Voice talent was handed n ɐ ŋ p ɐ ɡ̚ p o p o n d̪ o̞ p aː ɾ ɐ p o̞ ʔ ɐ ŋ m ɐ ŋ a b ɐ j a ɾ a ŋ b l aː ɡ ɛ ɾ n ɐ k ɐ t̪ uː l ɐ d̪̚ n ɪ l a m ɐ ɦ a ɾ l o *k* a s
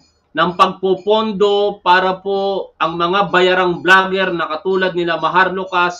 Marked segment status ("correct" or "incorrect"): correct